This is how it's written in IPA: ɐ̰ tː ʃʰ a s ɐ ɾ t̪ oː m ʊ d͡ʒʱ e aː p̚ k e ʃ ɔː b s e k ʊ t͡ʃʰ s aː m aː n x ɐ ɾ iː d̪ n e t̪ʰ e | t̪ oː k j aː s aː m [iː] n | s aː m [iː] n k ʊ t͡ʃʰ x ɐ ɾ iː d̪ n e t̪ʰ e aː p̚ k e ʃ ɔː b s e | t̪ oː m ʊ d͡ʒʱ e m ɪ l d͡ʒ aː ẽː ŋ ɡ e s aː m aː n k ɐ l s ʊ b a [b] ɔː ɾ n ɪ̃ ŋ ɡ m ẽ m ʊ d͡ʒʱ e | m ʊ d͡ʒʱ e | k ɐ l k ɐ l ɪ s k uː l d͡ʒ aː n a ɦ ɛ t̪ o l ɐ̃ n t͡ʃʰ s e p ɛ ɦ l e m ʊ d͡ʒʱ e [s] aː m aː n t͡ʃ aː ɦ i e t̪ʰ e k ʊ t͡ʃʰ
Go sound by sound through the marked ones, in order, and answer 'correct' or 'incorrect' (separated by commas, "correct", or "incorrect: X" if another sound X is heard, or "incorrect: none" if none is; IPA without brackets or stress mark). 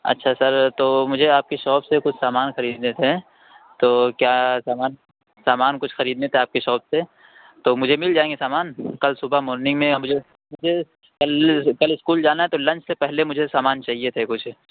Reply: incorrect: aː, incorrect: aː, incorrect: m, correct